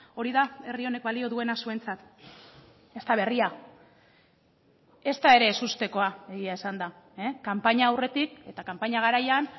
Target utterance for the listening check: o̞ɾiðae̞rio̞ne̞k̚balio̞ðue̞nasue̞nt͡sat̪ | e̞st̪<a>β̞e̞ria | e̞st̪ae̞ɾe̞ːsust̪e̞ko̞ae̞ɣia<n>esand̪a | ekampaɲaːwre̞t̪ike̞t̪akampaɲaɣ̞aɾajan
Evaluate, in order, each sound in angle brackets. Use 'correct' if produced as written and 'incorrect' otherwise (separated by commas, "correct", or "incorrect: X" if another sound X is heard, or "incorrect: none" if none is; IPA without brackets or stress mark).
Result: correct, incorrect: none